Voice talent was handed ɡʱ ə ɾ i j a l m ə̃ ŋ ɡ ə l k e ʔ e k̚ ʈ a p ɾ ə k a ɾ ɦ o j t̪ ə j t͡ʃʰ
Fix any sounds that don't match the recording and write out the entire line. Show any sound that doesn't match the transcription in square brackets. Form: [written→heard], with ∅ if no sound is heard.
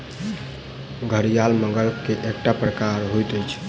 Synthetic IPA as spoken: ɡʱ ə ɾ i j a l m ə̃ ŋ ɡ ə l k e ʔ e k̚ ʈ a p ɾ ə k a ɾ ɦ o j t̪ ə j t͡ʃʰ